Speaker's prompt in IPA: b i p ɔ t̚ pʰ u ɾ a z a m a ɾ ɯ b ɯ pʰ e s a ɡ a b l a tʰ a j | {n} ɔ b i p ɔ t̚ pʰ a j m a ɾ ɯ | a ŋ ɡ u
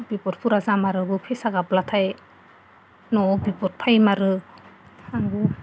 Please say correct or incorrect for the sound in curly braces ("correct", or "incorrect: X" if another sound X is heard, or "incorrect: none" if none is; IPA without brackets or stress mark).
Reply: correct